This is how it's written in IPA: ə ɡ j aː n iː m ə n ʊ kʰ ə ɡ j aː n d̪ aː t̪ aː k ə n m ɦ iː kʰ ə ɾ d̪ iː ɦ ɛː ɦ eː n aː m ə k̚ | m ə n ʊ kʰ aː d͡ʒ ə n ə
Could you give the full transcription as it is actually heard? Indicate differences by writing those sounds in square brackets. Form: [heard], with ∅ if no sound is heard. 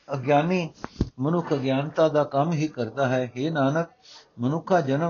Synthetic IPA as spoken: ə ɡ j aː n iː m ə n ʊ kʰ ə ɡ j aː n [t̪] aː [d̪] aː k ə [∅] m ɦ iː [k] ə ɾ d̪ [aː] ɦ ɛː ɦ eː n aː [n] ə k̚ | m ə n ʊ kʰ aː d͡ʒ ə n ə